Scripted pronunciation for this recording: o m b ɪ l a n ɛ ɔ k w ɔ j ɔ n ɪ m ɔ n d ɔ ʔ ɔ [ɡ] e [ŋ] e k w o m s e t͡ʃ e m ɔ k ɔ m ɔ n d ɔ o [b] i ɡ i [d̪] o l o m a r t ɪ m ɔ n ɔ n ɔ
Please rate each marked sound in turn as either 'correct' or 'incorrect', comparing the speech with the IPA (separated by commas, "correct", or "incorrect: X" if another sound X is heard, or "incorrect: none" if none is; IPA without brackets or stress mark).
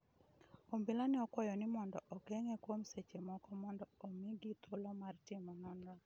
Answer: incorrect: k, correct, incorrect: m, incorrect: t̪